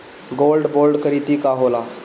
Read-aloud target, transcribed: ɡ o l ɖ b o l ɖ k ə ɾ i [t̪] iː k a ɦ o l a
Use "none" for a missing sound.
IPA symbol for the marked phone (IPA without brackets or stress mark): t̪